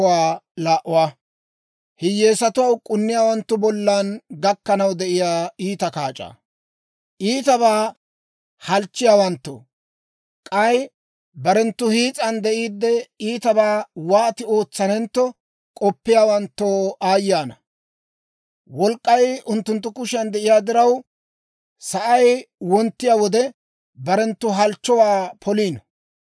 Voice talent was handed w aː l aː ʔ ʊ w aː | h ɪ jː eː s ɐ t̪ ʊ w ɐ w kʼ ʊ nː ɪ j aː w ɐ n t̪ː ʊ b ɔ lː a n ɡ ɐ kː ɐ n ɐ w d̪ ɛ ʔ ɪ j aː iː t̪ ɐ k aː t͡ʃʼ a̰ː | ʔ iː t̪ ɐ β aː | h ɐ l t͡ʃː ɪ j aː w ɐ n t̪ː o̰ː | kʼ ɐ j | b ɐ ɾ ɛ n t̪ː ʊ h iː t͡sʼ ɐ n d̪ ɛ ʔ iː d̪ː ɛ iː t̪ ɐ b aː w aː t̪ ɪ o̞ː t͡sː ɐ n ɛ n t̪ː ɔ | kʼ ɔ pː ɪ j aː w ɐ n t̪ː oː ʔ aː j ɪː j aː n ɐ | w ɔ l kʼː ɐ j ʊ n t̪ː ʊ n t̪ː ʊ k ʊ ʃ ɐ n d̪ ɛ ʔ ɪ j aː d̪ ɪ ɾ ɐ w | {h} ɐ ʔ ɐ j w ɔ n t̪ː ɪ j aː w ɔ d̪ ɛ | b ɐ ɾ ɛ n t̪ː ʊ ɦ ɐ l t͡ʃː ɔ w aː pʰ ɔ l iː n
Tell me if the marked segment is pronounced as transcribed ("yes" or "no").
no